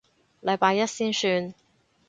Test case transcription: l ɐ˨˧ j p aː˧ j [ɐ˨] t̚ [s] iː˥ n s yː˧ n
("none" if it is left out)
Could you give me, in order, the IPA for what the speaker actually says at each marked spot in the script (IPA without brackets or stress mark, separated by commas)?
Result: ɐ˥, s